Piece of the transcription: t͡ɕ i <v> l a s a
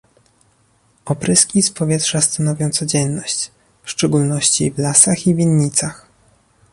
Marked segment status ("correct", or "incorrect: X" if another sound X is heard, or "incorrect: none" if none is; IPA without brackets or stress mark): correct